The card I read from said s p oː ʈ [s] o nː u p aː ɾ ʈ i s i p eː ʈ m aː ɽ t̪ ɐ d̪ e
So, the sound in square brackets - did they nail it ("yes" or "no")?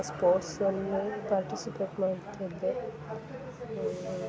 yes